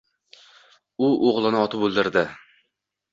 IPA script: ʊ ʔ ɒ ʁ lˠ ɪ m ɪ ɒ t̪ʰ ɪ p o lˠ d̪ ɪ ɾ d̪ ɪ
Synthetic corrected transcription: ʊ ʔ o ʁ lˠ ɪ n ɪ ɒ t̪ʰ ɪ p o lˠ d̪ ɪ ɾ d̪ ɪ